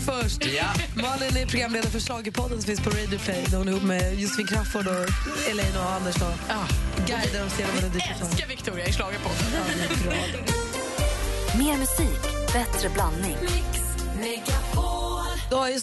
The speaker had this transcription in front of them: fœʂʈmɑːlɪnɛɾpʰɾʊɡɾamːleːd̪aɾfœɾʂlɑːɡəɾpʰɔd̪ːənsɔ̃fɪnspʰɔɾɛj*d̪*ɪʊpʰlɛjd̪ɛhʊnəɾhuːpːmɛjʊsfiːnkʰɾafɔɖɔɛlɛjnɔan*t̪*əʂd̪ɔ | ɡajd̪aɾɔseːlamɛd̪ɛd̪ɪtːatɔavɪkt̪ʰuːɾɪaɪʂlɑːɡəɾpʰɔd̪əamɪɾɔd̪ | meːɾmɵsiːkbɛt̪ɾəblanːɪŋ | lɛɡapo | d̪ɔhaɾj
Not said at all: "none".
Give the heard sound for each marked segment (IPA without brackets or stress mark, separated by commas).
d̪, d̪